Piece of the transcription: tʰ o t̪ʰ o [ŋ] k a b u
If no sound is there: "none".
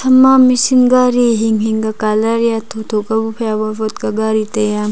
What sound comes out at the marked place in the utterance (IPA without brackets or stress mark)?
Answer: none